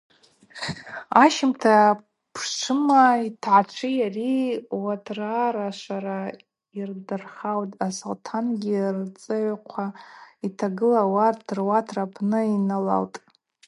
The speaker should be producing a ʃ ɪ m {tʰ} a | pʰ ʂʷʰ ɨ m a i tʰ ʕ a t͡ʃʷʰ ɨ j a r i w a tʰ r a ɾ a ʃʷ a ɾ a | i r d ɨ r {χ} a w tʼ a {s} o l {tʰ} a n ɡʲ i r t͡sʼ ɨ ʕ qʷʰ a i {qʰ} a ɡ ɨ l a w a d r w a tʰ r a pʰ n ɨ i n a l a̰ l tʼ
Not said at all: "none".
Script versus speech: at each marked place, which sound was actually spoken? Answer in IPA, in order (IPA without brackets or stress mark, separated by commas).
tʰ, χ, s, tʰ, tʰ